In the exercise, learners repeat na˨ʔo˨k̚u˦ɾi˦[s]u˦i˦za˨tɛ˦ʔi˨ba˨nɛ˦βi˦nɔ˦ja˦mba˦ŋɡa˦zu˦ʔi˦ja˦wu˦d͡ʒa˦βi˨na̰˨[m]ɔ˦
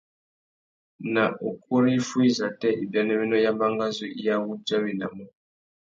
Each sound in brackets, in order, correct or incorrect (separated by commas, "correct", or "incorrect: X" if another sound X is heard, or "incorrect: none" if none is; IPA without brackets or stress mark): incorrect: f, correct